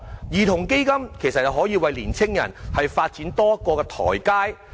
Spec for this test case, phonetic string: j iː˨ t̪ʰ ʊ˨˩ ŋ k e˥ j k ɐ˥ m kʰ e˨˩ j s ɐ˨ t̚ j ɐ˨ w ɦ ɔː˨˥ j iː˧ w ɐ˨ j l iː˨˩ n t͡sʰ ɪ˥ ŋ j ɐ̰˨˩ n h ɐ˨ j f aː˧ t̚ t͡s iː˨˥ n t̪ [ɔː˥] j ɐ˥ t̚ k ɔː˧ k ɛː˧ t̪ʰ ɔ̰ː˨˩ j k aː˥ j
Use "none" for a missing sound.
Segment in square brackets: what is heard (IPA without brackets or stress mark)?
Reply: ɔː˥